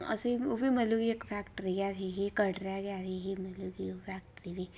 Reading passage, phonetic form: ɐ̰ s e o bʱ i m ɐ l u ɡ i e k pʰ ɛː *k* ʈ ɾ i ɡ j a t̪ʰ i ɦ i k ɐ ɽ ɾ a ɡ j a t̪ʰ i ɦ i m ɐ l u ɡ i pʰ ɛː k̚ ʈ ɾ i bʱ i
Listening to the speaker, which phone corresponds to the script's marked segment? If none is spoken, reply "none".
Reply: k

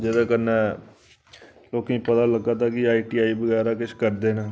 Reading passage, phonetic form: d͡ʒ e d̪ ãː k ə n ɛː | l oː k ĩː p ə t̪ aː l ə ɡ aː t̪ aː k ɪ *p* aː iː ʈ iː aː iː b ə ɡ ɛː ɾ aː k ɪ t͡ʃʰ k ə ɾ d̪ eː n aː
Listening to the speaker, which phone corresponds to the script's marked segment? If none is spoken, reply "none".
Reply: none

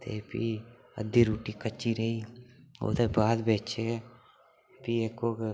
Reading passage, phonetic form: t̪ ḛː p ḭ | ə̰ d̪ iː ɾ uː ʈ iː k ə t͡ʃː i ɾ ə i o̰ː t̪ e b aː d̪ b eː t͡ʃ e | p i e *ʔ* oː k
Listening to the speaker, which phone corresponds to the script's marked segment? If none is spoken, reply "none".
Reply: k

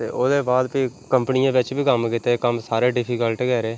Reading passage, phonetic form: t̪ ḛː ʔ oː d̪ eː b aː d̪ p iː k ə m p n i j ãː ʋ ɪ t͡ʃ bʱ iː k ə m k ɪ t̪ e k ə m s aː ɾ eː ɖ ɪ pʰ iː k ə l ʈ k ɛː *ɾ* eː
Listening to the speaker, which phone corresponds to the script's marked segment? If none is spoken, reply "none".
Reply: ɾ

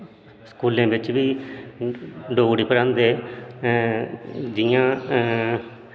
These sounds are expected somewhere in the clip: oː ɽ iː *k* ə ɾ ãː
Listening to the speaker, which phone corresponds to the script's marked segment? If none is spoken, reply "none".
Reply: p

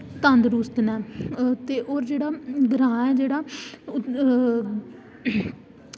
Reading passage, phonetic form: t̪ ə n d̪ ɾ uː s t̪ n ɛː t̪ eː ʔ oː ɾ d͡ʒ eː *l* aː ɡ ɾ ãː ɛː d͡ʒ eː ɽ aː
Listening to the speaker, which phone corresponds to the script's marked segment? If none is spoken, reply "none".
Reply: ɽ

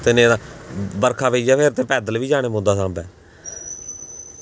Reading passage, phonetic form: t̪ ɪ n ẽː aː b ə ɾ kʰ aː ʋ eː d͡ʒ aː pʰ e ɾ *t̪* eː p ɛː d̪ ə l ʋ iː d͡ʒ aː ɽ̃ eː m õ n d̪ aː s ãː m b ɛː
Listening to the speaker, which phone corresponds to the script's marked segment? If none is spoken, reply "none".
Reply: t̪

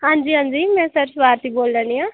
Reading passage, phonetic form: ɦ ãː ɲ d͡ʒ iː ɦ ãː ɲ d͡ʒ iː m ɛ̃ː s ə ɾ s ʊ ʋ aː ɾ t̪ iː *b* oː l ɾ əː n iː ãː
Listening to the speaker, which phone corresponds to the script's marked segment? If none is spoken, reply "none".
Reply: b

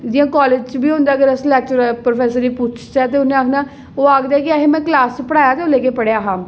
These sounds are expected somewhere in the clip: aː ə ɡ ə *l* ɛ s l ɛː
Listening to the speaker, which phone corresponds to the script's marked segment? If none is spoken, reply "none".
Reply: ɾ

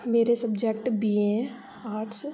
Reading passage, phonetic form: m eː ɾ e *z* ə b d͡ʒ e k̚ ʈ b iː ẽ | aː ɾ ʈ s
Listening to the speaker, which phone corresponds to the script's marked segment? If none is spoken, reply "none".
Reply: s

